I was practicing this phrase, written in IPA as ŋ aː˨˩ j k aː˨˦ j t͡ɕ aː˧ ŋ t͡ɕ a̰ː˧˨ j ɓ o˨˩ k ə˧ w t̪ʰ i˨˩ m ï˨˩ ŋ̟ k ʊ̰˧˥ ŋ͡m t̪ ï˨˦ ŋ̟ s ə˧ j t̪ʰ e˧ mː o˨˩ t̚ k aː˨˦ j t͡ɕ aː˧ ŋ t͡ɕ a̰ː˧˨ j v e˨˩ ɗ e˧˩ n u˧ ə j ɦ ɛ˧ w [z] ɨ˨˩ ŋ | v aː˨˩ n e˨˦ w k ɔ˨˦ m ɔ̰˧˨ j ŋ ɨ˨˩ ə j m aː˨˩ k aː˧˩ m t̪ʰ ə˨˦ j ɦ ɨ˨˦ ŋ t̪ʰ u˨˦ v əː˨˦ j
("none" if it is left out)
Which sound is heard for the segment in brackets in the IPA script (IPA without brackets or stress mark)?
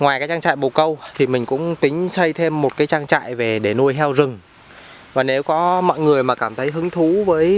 z